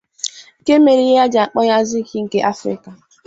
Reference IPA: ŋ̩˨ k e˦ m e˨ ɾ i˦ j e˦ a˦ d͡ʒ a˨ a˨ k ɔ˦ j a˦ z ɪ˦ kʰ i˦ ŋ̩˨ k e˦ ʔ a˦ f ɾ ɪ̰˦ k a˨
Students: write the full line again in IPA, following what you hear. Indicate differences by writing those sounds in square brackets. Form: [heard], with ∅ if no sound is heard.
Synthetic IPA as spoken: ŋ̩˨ k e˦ m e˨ ɾ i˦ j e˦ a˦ d͡ʒ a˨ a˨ [k͡p] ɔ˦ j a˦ z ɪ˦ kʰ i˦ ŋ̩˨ k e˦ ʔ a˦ f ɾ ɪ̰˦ k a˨